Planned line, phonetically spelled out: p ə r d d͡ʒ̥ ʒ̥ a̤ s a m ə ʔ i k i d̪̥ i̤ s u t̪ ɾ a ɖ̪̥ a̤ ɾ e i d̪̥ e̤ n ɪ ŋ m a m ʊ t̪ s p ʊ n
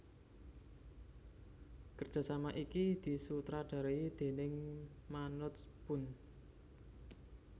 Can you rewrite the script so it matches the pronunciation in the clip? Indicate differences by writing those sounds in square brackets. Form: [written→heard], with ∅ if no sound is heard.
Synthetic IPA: [p→k] ə r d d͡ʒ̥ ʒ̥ a̤ s a m [ə→a] ʔ i k i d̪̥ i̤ s u t̪ ɾ a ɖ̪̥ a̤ ɾ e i d̪̥ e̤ n ɪ ŋ m a [m→n] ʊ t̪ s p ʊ n